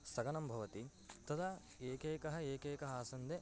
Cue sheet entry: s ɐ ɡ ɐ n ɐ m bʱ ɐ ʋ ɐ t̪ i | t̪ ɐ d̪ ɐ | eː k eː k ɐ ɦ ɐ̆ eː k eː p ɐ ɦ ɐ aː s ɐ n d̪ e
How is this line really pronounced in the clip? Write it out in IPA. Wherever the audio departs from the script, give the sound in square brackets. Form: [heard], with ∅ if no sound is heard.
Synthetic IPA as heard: s ɐ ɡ ɐ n ɐ m bʱ ɐ ʋ ɐ t̪ i | t̪ ɐ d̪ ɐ | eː k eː k ɐ ɦ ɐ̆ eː k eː [k] ɐ ɦ ɐ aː s ɐ n d̪ e